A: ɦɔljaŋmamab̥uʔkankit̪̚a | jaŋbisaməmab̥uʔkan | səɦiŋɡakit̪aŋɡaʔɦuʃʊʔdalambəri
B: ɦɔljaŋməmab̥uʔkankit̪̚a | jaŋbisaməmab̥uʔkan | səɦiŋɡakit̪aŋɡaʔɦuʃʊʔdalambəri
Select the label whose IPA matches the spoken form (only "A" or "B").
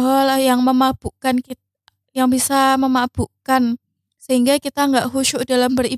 B